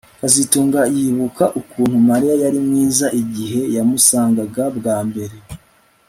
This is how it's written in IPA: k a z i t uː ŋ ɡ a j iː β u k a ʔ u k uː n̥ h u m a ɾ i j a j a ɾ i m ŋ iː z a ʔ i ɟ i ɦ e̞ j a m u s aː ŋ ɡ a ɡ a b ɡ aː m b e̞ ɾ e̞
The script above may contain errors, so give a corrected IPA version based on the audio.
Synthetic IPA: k a z i t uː ŋ ɡ a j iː β u k a ʔ u k uː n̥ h u m a ɾ i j a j a ɾ i m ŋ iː z a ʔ i ɟ i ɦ e̞ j a m u s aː ŋ ɡ a ɡ a b ɡ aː m b e̞ ɾ e̞